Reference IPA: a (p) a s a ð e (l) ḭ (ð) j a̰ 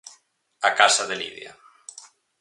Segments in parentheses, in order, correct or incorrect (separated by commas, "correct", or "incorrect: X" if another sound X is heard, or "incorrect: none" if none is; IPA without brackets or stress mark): incorrect: k, correct, correct